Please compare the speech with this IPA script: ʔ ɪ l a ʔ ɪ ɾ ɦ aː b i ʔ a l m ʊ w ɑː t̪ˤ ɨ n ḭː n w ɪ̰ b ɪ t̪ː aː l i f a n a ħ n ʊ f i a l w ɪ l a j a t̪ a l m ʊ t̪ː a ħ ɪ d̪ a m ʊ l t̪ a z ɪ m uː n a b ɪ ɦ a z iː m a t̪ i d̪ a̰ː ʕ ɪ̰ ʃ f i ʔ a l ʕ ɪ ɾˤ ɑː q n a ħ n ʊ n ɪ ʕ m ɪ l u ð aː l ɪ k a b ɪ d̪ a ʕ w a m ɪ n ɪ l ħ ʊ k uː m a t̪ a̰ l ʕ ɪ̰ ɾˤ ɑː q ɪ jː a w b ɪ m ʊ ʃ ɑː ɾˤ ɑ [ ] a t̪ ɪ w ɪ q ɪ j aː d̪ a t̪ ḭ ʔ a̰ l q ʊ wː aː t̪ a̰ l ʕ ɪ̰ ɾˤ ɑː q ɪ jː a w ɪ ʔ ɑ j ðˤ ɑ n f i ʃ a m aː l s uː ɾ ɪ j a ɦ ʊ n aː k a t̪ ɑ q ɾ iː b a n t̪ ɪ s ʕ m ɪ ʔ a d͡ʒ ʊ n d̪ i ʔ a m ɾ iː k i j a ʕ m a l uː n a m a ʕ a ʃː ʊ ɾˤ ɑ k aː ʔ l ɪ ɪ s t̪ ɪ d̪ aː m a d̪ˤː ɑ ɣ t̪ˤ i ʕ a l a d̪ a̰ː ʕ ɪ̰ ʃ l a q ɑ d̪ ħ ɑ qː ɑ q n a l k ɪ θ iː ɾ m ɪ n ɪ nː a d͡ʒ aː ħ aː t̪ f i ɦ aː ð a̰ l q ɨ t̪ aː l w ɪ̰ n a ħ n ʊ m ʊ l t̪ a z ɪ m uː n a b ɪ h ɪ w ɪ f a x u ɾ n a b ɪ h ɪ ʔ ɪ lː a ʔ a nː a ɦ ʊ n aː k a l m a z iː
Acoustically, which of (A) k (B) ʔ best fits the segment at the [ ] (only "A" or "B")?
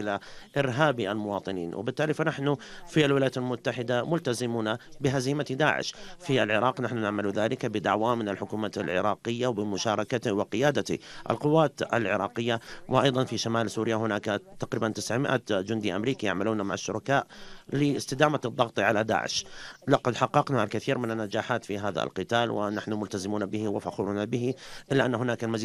A